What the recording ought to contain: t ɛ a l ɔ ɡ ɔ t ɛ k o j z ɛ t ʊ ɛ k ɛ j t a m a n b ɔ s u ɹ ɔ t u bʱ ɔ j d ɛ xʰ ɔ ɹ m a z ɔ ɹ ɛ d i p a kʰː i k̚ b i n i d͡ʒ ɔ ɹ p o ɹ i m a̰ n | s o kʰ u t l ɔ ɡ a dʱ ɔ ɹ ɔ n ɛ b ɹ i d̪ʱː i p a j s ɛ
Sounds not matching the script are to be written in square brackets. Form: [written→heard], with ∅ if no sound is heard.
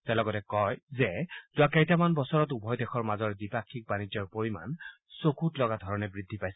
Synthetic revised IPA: t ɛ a l ɔ ɡ ɔ t ɛ k [o→ɔ] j z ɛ t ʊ [ɛ→a] k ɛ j t a m a n b ɔ s [u→ɔ] ɹ ɔ t u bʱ ɔ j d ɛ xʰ ɔ ɹ m a z ɔ ɹ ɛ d i p a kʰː i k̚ b [i→a] n i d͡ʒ ɔ ɹ p o ɹ i m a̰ n | s o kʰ u t l ɔ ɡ a dʱ ɔ ɹ ɔ n ɛ b ɹ i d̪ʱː i p a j s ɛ